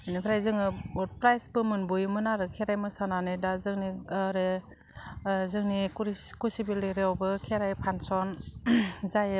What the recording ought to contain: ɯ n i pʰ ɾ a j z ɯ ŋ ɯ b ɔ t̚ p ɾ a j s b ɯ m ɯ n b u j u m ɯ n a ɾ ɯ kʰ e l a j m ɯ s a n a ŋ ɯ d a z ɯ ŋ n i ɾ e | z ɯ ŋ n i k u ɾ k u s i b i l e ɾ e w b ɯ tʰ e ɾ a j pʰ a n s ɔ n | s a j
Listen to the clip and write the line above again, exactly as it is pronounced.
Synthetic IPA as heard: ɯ n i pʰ ɾ a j z ɯ ŋ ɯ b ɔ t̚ p ɾ a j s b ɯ m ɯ n b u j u m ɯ n a ɾ ɯ kʰ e ɾ a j m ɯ s a n a n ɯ d a z ɯ ŋ n i ɾ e | z ɯ ŋ n i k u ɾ k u s i b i l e ɾ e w b ɯ kʰ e ɾ a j pʰ a n s ɔ n | z a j